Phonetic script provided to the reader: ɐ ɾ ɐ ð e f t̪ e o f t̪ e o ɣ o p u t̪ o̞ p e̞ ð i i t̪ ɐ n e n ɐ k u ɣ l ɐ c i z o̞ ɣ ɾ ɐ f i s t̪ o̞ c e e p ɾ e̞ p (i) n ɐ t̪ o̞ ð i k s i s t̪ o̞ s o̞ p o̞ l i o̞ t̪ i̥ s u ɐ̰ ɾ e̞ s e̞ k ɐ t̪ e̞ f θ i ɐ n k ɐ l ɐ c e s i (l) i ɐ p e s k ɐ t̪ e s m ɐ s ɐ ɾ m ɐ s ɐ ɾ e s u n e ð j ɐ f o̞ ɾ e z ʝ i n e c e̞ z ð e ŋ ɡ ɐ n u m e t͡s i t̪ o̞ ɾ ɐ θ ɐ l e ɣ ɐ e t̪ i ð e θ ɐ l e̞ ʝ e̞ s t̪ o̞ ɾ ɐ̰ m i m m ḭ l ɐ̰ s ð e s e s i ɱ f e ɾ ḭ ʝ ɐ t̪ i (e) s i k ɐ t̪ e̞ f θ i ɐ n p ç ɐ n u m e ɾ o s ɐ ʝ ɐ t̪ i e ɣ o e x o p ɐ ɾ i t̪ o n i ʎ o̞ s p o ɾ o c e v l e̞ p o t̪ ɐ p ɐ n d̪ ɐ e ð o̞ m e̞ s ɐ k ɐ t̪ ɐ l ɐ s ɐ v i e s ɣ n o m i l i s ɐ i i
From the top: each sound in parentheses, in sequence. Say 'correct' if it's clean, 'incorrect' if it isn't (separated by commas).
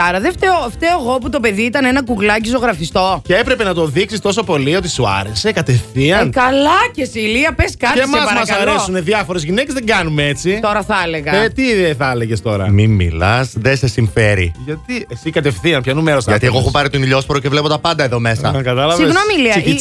incorrect, correct, correct